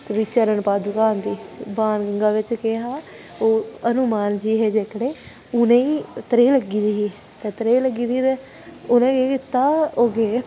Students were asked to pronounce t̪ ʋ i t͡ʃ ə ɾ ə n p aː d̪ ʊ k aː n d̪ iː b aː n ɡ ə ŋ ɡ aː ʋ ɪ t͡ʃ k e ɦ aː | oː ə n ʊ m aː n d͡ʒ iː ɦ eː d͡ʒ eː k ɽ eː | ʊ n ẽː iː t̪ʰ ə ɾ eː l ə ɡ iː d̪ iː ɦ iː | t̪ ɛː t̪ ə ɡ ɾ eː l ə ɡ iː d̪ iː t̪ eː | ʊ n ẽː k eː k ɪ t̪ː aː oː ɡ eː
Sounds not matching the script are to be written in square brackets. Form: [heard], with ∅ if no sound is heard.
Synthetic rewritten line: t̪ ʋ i t͡ʃ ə ɾ ə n p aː d̪ ʊ k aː n d̪ iː b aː n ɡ ə ŋ ɡ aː ʋ ɪ t͡ʃ k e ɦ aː | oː ə n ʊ m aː n d͡ʒ iː ɦ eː d͡ʒ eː k ɽ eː | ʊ n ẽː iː [t̪] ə ɾ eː l ə ɡ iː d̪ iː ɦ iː | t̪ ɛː t̪ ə [∅] ɾ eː l ə ɡ iː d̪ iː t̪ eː | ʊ n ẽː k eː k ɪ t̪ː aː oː ɡ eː